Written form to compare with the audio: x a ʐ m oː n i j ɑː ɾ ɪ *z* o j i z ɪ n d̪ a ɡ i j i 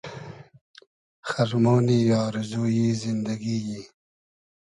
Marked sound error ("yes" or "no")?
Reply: no